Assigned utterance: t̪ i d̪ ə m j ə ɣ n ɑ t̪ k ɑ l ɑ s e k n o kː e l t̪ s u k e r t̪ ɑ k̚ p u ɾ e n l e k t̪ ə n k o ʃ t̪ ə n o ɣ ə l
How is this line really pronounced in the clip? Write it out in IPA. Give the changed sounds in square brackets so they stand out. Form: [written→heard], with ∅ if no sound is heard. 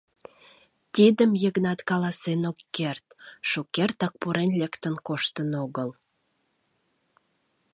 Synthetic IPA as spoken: t̪ i d̪ ə m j ə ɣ n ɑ t̪ k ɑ l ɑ s e [k→∅] n o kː e [l→r] t̪ [s→ʃ] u k e r t̪ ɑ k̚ p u ɾ e n l e k t̪ ə n k o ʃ t̪ ə n o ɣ ə l

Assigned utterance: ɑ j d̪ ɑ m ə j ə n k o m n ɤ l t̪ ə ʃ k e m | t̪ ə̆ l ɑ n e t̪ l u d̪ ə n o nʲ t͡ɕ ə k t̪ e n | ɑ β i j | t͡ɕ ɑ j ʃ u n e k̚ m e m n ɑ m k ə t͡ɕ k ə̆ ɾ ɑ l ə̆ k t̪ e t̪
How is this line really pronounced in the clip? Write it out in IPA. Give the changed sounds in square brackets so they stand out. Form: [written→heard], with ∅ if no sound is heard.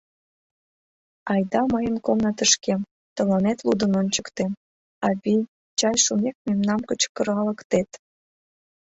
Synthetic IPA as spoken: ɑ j d̪ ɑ m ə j ə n k o m n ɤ [l→∅] t̪ ə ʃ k e m | t̪ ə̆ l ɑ n e t̪ l u d̪ ə n o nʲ t͡ɕ ə k t̪ e [n→m] | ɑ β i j | t͡ɕ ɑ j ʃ u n e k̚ m e m n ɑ m k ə t͡ɕ k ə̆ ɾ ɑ l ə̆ k t̪ e t̪

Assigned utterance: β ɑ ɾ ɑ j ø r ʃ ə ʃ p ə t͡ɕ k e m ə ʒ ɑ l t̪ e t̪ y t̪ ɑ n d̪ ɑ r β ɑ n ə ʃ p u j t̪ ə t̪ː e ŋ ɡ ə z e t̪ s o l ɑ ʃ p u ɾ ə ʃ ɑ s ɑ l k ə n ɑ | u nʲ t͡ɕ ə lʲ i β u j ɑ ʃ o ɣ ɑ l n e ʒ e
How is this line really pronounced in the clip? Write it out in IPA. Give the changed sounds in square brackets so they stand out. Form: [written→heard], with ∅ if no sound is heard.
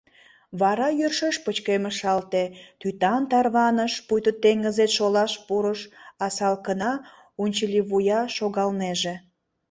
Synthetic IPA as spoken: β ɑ ɾ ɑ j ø r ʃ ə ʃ p ə t͡ɕ k e m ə [ʒ→ʃ] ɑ l t̪ e t̪ y t̪ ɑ n [d̪→t̪] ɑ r β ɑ n ə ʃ p u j t̪ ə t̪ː e ŋ ɡ ə z e t̪ [s→ʃ] o l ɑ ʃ p u ɾ ə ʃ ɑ s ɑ l k ə n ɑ | u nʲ t͡ɕ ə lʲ i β u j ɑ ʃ o ɣ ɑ l n e ʒ e

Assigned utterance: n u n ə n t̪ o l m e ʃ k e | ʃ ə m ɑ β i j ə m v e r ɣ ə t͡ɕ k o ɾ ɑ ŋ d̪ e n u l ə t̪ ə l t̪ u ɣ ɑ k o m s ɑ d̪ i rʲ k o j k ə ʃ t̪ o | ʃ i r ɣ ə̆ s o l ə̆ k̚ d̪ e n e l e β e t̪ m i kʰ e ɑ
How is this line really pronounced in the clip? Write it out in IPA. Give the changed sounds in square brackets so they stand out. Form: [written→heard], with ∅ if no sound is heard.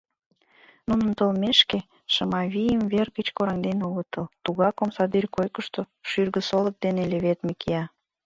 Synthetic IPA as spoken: n u n ə n t̪ o l m e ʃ k e | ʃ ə m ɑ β i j ə m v e r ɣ ə t͡ɕ k o ɾ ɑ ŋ d̪ e n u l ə t̪ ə l t̪ u ɣ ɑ k o m s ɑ d̪ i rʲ k o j k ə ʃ t̪ o | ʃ [i→y] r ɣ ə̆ s o l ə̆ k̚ d̪ e n e l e β e t̪ m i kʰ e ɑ

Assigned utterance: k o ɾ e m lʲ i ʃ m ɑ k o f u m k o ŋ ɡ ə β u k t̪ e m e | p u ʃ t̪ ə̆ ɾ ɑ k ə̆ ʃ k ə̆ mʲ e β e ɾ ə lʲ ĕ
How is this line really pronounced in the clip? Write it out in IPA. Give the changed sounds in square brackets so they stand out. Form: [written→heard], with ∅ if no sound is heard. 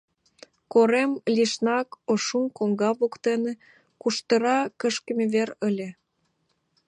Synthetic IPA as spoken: k o ɾ e m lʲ i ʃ [m→n] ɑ k o [f→ʃ] u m k o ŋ ɡ [ə→ɑ] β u k t̪ e [m→n] e | [p→k] u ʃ t̪ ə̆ ɾ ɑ k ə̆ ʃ k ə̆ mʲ e β e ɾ ə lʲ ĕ

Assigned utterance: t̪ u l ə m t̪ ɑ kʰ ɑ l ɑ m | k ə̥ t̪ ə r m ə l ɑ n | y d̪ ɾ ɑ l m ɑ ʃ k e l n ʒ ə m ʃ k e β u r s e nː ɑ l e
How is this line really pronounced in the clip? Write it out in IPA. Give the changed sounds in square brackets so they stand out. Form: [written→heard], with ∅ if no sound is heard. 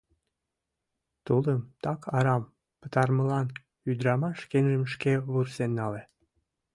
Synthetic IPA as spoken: t̪ u l ə m t̪ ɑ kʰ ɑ [l→ɾ] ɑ m | [k→p] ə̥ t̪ [ə→ɑ] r m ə l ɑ n | y d̪ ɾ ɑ [l→∅] m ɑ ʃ k e [l→∅] n ʒ ə m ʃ k e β u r s e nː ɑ l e

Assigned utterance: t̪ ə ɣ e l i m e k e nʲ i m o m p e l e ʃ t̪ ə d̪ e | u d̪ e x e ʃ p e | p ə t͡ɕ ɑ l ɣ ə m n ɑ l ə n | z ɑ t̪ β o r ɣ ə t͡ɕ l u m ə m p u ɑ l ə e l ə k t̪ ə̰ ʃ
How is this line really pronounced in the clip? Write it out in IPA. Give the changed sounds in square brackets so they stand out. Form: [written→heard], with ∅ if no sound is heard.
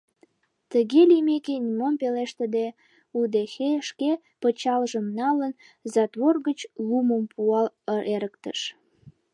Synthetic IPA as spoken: t̪ ə ɣ e l i m e k e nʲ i m o m p e l e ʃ t̪ ə d̪ e | u d̪ e x e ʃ [p→k] e | p ə t͡ɕ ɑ l [ɣ→ʒ] ə m n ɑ l ə n | z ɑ t̪ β o r ɣ ə t͡ɕ l u m ə m p u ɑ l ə e [l→ɾ] ə k t̪ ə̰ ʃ

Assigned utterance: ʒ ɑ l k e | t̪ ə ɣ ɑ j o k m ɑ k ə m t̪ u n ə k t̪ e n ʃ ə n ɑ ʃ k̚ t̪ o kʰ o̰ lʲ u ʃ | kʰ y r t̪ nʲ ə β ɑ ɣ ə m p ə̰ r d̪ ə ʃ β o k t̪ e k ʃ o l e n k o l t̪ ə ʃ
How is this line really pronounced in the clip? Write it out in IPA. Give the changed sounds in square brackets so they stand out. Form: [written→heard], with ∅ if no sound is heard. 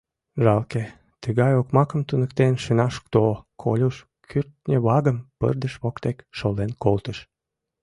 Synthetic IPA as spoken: ʒ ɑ l k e | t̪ ə ɣ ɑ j o k m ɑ k ə m t̪ u n ə k t̪ e n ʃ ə n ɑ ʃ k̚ t̪ o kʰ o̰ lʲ u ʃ | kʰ y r t̪ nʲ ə β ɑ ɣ ə m p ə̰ r d̪ ə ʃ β o k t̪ e k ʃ o l e n k o l t̪ ə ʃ

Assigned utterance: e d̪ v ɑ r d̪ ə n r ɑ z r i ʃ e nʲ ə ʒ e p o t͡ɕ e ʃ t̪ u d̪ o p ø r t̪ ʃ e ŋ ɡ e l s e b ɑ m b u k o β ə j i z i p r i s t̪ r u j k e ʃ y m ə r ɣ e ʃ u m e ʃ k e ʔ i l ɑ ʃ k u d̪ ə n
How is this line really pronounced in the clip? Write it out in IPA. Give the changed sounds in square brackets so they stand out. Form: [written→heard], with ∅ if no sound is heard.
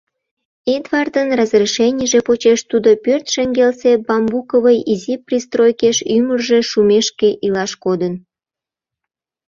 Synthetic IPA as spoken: e d̪ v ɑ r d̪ ə n r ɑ z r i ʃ e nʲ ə ʒ e p o t͡ɕ e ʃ t̪ u d̪ o p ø r t̪ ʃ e ŋ ɡ e l s e b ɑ m b u k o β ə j i z i p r i s t̪ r [u→o] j k e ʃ y m ə r [ɣ→ʒ] e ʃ u m e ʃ k e ʔ i l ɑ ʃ k [u→o] d̪ ə n

